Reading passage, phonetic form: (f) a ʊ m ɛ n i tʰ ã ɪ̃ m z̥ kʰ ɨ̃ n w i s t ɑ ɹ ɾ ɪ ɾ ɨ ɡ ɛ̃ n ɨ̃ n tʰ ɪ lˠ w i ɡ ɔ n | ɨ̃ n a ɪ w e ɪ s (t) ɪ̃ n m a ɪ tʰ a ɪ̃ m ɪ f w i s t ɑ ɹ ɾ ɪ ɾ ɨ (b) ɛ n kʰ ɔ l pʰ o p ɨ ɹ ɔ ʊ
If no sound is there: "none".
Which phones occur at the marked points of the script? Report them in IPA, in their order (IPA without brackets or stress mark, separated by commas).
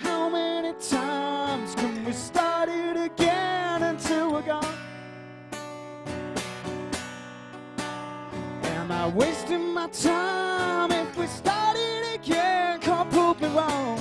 h, t, ɡ